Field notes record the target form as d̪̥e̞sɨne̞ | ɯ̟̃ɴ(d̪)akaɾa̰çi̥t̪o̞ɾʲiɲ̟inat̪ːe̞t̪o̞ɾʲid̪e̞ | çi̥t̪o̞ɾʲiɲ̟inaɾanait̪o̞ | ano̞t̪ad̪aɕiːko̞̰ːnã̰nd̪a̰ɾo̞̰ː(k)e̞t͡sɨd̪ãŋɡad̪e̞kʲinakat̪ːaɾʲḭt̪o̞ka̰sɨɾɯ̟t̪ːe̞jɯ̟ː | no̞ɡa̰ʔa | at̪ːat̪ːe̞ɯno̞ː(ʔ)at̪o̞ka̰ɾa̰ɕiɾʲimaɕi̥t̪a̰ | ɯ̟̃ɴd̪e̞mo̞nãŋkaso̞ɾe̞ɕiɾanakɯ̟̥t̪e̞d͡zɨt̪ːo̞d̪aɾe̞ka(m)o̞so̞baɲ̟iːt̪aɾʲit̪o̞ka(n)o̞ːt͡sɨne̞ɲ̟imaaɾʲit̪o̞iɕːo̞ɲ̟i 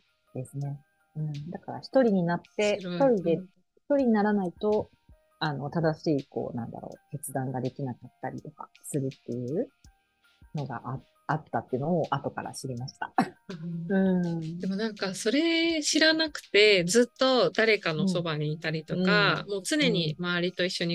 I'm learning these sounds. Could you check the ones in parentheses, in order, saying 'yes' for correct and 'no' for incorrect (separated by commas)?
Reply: yes, yes, yes, no, no